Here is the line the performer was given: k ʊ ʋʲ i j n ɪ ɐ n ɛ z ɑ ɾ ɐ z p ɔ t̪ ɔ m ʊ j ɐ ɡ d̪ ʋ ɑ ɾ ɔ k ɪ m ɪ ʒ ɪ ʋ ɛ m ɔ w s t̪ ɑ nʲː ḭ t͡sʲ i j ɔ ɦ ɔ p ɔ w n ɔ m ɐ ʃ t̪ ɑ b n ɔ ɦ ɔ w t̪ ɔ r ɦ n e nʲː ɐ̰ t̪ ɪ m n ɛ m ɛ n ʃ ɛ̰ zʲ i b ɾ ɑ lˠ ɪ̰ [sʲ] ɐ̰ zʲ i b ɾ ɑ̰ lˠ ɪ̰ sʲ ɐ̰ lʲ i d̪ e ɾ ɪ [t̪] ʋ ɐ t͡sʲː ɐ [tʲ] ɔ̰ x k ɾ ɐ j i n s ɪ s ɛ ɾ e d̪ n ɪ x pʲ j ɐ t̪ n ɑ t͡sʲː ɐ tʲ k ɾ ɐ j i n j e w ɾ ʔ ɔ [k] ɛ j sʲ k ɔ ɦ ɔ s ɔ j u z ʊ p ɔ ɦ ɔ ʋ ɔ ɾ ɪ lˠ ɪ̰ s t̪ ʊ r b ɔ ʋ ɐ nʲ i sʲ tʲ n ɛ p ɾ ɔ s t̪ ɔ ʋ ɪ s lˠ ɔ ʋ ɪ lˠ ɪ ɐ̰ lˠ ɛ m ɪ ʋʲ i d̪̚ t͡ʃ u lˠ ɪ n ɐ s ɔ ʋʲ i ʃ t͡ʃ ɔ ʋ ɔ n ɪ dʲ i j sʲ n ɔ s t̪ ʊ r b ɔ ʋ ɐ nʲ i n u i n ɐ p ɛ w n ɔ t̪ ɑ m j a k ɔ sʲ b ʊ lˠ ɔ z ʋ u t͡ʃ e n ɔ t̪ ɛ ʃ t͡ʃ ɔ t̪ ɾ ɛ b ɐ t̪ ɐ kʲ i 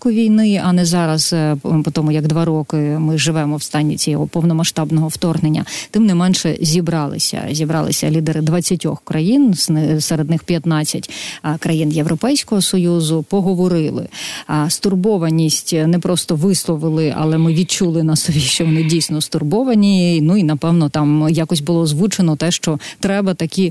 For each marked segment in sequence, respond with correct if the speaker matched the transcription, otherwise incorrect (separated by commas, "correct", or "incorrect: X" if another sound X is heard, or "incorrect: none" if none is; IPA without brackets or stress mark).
correct, incorrect: d̪, correct, incorrect: p